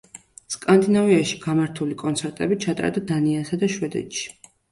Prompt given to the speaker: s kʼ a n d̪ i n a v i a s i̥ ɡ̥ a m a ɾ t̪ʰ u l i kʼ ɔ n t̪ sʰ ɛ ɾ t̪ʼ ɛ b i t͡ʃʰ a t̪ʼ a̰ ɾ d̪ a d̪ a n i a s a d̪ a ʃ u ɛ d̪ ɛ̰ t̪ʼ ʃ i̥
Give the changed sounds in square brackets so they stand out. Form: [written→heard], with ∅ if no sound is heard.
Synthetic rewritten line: s kʼ a n d̪ i n a v i a [s→ʃ] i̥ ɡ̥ a m a ɾ t̪ʰ u l i kʼ ɔ n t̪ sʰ ɛ ɾ t̪ʼ ɛ b i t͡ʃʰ a t̪ʼ a̰ ɾ d̪ a d̪ a n i a s a d̪ a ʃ [u→w] ɛ d̪ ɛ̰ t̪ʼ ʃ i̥